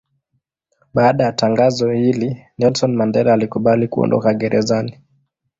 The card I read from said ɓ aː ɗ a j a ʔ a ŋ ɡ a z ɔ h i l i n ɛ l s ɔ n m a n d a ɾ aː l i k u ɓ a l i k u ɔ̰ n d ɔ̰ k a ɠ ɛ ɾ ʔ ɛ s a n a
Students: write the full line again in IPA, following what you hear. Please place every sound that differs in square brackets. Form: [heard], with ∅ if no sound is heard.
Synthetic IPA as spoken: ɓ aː ɗ a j a [t] a ŋ ɡ a z ɔ h i l i n ɛ l s ɔ n m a n d [ɛ] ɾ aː l i k u ɓ a l i k u ɔ̰ n d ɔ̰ k a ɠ ɛ ɾ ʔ ɛ [z] a n [i]